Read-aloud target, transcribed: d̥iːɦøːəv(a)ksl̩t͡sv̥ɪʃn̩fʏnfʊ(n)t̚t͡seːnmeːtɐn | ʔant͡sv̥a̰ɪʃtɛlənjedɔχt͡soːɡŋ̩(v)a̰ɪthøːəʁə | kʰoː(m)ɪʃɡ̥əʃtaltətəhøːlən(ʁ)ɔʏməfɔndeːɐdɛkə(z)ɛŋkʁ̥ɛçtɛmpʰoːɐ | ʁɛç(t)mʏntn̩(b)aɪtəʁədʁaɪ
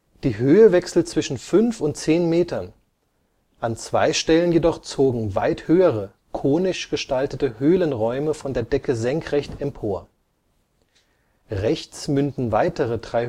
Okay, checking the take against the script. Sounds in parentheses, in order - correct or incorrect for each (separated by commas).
incorrect, correct, correct, incorrect, correct, correct, incorrect, incorrect